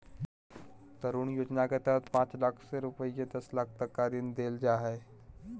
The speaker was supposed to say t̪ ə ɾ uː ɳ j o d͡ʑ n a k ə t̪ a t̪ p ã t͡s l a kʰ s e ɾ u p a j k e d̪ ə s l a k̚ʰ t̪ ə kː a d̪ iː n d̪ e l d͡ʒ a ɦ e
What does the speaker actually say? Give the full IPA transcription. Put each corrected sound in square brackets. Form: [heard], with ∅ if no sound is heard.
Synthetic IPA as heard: t̪ ə ɾ uː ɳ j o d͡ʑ n a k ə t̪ a t̪ p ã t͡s l a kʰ s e ɾ u p [ə] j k e d̪ ə s l a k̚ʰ t̪ ə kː a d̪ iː n d̪ e l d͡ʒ a ɦ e